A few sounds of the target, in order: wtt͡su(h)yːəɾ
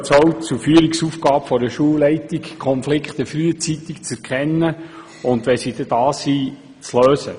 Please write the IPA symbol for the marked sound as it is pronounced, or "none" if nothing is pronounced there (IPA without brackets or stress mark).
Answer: f